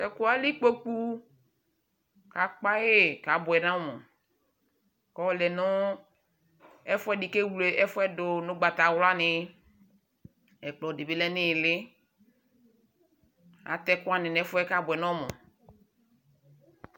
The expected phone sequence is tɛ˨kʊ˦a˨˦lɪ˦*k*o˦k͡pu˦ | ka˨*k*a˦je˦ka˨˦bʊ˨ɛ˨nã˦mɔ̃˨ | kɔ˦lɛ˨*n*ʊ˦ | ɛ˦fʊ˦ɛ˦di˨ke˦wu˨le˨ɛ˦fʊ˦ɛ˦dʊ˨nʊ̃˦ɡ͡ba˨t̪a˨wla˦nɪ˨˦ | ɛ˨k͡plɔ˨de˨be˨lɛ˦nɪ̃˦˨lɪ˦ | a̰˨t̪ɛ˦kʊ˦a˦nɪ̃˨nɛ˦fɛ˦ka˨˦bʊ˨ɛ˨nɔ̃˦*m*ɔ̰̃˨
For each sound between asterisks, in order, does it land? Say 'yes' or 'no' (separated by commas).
no, no, yes, yes